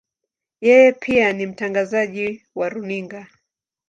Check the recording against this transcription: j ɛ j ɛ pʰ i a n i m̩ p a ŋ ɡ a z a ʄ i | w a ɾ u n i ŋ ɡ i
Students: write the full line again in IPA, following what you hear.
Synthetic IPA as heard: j ɛ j ɛ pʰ i a n i m̩ t a ŋ ɡ a z a ʄ i | w a ɾ u n i ŋ ɡ a